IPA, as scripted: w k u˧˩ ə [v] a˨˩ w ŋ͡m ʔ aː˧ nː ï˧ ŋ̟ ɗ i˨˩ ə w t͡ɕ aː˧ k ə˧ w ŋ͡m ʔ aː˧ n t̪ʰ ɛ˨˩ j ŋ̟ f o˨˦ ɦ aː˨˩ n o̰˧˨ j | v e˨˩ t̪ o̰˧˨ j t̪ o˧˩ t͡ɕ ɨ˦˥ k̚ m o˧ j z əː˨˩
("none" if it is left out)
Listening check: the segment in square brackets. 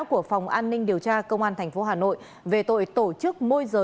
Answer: f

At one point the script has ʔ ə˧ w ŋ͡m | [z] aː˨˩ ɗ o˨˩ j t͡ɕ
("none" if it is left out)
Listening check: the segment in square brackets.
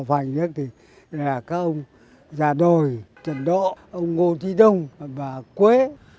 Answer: z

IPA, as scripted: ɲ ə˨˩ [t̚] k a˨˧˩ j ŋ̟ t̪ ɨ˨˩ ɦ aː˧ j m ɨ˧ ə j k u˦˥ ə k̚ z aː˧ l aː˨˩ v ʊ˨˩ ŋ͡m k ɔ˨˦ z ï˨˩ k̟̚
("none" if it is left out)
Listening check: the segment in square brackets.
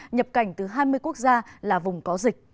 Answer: p̚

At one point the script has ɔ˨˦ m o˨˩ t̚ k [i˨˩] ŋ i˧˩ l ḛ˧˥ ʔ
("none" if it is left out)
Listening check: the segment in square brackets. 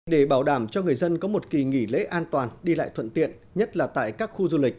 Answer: i˨˩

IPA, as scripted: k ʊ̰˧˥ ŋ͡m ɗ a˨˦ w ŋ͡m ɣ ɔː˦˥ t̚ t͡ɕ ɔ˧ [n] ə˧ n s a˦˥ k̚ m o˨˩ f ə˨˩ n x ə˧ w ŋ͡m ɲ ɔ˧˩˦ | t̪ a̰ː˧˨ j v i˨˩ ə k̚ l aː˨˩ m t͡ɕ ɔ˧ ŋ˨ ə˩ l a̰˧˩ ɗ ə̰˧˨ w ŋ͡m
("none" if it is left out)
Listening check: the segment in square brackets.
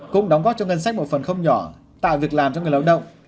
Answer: ŋ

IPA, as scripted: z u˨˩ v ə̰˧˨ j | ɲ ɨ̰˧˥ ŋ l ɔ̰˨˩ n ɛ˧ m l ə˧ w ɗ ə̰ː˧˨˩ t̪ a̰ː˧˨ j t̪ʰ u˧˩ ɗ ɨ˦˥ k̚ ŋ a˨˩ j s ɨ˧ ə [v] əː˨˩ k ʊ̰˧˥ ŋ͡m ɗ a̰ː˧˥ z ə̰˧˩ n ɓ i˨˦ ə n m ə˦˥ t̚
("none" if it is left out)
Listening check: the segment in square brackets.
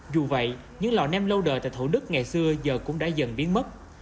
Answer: z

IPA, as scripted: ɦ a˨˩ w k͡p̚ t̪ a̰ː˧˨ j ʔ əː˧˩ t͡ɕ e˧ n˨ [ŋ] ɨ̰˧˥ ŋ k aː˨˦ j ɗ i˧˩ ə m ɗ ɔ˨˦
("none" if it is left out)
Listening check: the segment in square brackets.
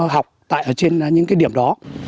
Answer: ɲ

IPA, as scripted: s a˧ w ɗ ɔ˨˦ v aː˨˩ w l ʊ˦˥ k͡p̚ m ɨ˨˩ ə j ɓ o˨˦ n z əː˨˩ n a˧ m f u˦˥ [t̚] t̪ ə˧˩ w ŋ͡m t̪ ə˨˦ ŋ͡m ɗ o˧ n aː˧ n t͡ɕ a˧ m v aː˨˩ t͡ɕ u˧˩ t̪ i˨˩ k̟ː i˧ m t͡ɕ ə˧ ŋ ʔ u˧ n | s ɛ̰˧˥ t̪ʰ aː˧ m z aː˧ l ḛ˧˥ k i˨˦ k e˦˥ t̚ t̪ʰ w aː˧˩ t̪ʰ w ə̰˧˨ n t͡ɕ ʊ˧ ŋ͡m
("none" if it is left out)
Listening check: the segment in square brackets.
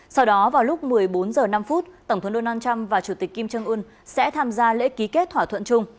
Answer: t̚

